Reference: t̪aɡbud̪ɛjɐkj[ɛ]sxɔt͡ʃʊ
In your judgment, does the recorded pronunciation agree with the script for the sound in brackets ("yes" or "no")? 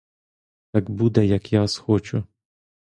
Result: no